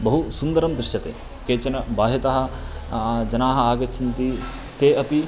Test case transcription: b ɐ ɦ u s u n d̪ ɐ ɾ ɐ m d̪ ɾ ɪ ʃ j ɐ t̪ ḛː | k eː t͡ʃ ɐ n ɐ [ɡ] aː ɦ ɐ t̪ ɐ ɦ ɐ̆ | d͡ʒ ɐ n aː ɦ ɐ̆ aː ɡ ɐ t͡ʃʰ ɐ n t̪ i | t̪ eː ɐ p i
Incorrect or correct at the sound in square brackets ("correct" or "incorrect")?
incorrect